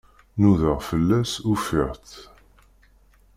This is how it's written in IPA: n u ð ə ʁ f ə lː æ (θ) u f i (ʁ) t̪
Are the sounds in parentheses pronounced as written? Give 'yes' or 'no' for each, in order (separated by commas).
no, yes